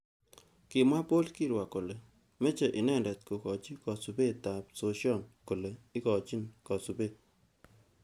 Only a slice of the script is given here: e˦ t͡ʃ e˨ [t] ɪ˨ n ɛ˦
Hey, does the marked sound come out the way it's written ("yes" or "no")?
no